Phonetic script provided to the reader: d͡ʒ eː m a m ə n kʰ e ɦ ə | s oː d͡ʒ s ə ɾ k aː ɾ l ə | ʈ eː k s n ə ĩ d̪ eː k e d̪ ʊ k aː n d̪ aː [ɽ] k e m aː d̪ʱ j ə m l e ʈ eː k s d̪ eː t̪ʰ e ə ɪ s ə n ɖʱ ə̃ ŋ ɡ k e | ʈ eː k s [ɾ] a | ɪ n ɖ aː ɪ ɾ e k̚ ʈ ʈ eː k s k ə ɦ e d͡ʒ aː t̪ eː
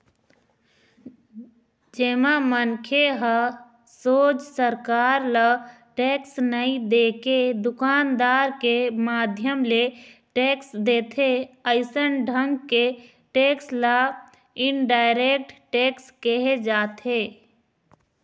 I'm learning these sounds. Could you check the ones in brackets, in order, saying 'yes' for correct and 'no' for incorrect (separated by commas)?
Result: no, no